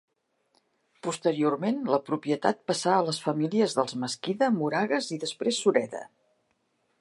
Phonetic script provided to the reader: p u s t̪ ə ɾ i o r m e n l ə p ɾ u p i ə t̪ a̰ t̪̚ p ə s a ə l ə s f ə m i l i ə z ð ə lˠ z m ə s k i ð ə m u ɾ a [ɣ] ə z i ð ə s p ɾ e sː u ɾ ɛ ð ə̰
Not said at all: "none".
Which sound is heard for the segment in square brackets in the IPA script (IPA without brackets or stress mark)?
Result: ɣ